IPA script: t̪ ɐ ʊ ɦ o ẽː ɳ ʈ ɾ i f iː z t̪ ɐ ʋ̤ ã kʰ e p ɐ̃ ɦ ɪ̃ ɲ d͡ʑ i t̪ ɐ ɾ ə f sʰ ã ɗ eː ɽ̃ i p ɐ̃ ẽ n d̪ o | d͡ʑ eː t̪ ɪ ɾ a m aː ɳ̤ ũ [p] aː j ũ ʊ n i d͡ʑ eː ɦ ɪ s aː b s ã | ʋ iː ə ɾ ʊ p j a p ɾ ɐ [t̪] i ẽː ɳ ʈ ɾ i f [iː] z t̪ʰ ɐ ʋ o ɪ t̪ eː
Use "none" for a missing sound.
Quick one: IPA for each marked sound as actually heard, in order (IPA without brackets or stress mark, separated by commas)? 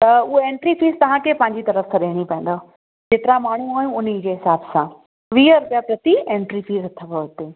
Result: none, t̪, iː